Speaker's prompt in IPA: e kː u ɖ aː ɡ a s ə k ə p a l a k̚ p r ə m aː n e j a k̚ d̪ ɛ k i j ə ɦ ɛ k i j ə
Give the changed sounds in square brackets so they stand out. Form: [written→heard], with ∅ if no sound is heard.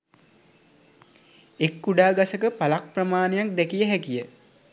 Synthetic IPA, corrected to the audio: e kː u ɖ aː ɡ a s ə k ə p a l a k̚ p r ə m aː n e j a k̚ d̪ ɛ k i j ə ɦ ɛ k i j ə